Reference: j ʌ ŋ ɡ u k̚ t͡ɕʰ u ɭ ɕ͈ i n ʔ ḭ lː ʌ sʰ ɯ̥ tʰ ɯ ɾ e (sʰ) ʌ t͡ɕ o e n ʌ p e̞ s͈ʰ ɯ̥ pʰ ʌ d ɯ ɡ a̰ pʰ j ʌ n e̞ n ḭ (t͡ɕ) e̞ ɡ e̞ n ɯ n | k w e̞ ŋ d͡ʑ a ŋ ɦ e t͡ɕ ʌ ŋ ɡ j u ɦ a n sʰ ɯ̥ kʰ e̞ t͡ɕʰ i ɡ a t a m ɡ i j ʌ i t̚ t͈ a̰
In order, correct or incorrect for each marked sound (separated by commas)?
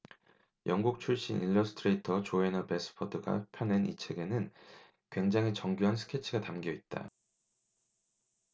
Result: incorrect, incorrect